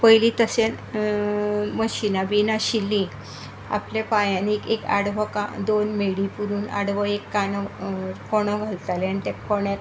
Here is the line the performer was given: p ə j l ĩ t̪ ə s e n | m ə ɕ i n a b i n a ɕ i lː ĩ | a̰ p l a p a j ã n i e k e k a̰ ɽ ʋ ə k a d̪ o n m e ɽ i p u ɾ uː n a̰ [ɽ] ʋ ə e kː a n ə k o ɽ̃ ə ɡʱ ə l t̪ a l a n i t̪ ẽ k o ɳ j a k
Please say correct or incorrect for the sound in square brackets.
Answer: correct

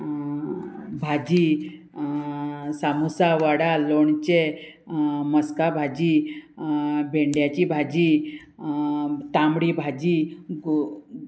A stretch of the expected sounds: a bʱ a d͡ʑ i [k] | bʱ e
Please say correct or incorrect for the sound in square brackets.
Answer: incorrect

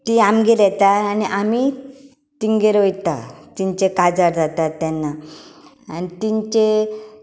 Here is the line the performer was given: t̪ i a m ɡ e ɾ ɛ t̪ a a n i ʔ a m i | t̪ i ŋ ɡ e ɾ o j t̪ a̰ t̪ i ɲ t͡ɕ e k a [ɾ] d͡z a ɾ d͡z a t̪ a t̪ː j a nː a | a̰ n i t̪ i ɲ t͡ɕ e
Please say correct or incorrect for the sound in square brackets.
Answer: incorrect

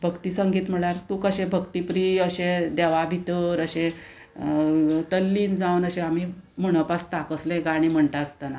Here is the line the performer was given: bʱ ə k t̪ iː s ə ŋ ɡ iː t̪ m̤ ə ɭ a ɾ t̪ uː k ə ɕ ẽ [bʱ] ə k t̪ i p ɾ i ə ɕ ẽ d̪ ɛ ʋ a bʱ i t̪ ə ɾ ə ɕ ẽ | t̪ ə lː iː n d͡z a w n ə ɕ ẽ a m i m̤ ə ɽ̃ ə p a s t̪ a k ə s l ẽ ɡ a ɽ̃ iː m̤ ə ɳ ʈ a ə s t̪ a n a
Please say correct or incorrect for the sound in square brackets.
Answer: correct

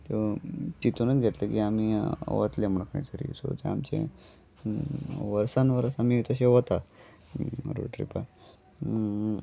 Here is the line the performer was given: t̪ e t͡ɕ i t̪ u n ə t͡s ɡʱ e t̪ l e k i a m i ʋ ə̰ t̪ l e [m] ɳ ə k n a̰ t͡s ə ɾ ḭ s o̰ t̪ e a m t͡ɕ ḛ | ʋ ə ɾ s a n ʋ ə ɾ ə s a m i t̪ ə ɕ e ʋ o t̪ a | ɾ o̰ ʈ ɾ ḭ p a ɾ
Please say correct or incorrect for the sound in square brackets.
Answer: correct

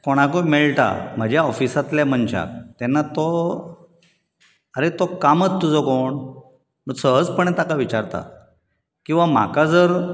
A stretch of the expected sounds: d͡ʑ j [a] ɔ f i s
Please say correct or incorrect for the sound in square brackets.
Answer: correct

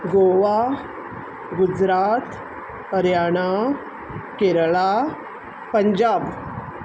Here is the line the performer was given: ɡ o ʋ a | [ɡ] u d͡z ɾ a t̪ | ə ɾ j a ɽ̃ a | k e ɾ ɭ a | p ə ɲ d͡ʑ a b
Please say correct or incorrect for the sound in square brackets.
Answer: correct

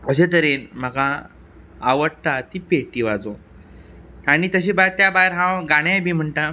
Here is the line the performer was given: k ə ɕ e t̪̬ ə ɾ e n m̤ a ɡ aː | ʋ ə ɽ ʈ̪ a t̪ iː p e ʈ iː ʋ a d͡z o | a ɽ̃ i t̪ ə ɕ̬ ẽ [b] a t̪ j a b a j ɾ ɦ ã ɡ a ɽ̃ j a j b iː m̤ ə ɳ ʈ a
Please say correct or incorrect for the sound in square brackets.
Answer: correct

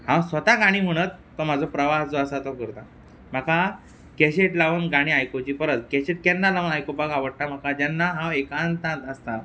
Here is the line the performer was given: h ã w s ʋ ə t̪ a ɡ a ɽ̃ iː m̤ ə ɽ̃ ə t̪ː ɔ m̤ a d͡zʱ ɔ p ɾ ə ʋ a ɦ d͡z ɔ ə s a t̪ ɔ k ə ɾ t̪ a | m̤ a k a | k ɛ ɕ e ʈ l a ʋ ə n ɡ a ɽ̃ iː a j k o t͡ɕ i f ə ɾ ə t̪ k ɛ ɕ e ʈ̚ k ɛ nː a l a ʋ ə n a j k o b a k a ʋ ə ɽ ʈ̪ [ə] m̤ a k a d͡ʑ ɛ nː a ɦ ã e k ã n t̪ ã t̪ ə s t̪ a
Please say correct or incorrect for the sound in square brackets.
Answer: incorrect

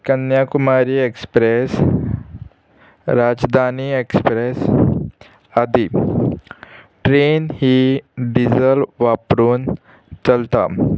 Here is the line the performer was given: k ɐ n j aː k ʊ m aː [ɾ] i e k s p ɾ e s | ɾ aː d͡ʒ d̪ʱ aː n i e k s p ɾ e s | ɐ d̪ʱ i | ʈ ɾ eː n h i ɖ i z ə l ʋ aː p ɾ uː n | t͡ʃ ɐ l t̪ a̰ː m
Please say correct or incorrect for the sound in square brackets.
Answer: correct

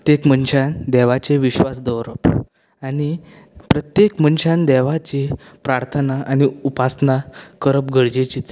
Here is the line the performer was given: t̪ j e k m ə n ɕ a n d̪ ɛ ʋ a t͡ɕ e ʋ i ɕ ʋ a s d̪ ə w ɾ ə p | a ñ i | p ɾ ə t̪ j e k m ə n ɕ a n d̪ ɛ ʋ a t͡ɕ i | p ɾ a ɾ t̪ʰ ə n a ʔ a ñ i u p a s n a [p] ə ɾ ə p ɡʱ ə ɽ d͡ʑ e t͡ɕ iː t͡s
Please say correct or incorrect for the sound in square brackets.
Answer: incorrect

